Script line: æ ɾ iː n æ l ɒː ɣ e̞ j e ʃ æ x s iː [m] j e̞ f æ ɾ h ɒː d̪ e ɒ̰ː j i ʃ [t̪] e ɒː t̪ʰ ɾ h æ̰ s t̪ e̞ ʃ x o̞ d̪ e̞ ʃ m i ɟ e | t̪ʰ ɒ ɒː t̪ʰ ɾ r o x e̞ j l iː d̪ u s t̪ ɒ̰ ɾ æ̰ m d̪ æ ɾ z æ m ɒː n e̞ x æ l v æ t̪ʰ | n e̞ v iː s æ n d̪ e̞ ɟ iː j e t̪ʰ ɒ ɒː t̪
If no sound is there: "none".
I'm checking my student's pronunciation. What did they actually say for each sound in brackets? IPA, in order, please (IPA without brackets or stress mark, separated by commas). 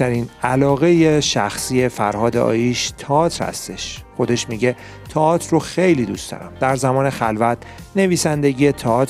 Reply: none, t̪ʰ